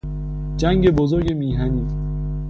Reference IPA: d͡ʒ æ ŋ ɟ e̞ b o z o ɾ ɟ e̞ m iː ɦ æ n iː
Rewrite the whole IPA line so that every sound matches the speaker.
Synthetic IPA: d͡ʒ æ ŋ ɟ e̞ b o z o ɾ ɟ e̞ m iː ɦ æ n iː